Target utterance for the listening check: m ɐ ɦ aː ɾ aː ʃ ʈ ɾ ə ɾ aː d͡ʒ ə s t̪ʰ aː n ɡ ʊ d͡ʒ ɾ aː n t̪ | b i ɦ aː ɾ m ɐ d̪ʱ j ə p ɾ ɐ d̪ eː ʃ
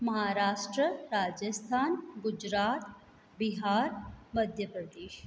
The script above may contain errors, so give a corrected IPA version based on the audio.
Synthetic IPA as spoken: m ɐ ɦ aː ɾ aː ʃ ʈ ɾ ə ɾ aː d͡ʒ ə s t̪ʰ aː n ɡ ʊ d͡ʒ ɾ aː t̪ | b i ɦ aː ɾ m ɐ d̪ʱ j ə p ɾ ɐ d̪ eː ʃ